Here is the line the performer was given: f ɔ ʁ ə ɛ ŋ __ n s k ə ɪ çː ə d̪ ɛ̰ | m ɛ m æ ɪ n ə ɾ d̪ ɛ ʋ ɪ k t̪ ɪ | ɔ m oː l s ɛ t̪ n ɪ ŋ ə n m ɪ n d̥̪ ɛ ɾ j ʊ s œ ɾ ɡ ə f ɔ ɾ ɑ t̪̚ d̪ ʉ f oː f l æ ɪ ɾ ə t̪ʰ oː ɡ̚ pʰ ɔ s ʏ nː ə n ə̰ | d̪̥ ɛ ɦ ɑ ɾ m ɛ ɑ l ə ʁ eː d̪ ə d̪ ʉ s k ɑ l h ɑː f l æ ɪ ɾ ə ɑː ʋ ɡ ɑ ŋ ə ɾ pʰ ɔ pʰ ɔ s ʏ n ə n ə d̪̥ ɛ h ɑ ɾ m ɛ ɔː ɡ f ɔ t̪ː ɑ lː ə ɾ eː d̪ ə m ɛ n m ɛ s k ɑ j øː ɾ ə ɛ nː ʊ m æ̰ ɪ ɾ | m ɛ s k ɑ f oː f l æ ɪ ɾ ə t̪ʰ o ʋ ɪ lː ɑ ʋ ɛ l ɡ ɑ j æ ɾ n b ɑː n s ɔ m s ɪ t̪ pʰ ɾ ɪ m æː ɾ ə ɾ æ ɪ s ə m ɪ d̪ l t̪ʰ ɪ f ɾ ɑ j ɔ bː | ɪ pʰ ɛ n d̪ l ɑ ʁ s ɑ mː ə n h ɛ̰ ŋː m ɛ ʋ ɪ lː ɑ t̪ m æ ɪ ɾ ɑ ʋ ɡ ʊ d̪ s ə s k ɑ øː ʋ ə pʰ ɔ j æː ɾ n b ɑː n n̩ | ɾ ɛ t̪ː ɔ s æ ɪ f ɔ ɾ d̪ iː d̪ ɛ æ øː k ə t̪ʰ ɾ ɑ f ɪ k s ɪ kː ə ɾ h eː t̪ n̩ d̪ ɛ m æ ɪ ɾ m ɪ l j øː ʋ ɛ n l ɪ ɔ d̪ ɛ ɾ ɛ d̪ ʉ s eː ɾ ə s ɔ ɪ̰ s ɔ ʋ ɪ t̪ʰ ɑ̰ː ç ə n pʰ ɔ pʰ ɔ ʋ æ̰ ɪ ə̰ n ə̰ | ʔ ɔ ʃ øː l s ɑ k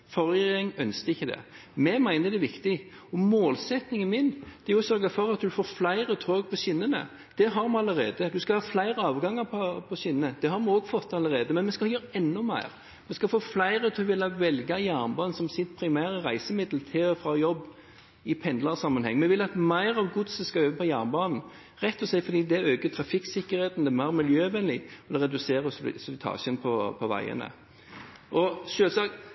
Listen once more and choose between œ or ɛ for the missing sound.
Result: œ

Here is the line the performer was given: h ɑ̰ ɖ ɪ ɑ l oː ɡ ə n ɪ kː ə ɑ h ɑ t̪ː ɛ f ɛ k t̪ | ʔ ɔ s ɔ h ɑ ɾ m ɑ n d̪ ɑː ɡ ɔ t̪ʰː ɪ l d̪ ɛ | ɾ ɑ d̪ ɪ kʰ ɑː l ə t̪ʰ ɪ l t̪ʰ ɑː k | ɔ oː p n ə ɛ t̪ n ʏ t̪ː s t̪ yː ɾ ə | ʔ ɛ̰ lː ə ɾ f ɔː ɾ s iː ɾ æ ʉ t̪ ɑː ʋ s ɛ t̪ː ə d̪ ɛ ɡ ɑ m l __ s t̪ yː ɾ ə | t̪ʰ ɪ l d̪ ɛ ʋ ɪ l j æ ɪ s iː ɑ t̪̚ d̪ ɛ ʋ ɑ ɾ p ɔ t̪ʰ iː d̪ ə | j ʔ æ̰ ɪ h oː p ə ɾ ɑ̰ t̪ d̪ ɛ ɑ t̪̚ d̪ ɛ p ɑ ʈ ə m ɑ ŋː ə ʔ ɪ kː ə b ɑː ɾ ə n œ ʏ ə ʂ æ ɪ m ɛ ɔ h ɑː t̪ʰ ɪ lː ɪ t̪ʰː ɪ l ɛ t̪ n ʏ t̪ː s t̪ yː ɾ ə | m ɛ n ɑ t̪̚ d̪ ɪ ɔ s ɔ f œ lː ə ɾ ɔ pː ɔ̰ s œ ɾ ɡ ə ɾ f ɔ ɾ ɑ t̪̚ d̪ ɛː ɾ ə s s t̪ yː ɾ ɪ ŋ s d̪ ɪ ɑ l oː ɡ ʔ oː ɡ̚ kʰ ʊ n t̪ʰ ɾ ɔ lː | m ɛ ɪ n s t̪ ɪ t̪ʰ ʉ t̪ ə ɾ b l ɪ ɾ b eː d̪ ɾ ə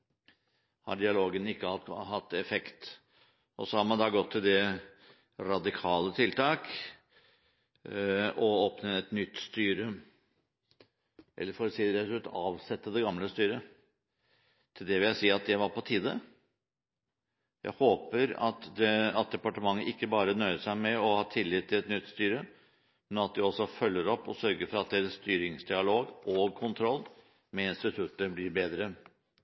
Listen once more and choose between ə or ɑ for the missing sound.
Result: ə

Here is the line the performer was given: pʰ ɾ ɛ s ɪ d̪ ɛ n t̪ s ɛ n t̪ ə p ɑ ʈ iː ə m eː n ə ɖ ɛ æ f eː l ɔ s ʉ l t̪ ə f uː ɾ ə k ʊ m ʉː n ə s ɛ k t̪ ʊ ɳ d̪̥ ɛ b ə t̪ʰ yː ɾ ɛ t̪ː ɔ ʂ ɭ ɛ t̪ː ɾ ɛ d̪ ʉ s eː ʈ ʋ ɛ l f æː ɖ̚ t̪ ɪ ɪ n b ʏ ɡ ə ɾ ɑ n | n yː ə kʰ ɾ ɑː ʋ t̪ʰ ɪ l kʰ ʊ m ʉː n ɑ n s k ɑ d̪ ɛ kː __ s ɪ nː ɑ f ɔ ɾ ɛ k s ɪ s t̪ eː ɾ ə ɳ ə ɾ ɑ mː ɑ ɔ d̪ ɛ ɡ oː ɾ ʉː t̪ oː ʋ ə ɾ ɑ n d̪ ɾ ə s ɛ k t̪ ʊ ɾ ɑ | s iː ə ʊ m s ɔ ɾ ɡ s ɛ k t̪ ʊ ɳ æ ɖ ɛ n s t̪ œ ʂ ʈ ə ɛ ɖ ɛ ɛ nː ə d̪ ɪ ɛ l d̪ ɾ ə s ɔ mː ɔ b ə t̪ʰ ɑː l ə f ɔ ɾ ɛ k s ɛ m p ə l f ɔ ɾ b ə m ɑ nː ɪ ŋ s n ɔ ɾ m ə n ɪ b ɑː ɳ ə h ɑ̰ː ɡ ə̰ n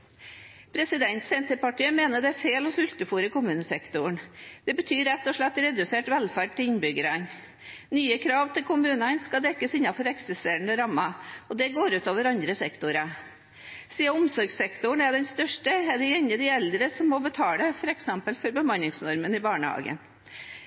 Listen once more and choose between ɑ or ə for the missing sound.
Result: ə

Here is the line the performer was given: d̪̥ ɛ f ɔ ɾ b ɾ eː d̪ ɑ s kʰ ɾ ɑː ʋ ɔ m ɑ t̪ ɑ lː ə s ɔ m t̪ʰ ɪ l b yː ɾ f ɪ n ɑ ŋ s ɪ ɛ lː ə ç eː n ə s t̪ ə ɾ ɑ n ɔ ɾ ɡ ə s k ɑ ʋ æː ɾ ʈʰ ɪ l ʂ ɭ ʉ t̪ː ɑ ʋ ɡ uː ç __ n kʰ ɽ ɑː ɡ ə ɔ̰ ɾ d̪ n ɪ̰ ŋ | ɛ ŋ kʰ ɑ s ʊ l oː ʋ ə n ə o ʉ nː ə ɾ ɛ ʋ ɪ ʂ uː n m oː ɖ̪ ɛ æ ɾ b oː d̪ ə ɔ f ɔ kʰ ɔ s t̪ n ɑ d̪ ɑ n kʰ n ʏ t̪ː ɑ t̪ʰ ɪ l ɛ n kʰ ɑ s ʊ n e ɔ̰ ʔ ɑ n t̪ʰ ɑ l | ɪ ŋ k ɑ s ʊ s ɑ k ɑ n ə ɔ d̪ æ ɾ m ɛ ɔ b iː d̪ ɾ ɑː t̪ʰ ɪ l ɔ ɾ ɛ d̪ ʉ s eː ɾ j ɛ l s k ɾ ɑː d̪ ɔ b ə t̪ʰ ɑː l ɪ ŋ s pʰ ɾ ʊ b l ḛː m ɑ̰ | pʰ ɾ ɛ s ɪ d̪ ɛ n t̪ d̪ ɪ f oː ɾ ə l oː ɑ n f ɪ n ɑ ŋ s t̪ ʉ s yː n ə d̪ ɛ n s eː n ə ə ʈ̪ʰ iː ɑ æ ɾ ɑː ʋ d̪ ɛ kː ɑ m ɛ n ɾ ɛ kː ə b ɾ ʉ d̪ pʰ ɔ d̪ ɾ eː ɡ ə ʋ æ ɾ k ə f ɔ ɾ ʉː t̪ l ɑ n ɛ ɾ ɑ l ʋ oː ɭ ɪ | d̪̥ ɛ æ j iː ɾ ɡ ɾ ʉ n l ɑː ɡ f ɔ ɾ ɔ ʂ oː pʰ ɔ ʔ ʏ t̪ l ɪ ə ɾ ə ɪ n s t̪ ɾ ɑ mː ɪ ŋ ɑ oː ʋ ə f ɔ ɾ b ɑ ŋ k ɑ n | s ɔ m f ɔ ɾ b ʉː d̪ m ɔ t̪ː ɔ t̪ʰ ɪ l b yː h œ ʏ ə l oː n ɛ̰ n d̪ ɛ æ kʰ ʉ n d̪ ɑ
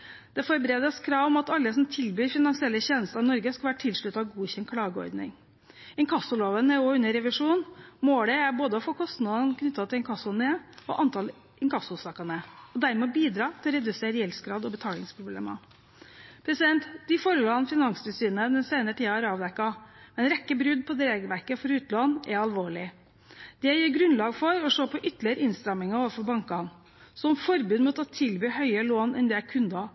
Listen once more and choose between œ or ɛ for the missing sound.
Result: ɛ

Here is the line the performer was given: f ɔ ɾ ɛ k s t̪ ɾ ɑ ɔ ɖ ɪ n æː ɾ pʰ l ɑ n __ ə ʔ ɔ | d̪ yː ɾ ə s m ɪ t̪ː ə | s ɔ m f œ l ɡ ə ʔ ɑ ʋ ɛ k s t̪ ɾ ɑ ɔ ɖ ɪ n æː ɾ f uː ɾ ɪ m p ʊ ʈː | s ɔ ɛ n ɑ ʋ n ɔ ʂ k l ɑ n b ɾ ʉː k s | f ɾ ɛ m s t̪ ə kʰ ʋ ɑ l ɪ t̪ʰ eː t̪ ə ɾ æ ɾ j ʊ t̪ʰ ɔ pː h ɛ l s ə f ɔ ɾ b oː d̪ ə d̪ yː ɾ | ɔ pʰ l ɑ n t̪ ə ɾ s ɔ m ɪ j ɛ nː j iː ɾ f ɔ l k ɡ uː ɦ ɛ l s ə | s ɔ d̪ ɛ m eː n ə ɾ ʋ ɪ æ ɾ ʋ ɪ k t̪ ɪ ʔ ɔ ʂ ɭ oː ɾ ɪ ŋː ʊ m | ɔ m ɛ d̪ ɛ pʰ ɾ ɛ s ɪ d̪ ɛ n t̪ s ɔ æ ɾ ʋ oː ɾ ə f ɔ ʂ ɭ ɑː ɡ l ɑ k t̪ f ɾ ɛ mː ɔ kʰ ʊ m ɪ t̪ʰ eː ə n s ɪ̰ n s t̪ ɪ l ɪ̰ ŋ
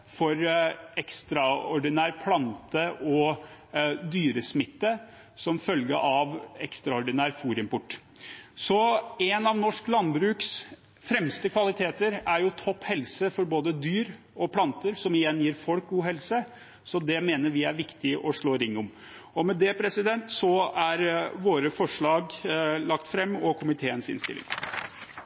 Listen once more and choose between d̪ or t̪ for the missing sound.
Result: t̪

